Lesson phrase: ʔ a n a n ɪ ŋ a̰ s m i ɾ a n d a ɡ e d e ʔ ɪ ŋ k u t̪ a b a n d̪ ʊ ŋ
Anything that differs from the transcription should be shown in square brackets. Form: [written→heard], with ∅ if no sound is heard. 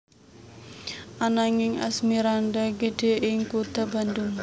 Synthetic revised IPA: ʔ a n a [n→ŋ] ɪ ŋ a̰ s m i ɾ a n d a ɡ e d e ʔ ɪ ŋ k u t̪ a b a n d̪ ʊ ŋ